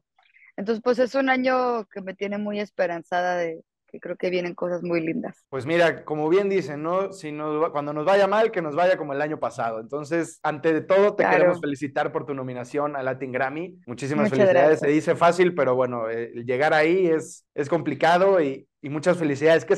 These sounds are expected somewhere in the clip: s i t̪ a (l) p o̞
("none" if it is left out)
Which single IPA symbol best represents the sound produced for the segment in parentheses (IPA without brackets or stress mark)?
ɾ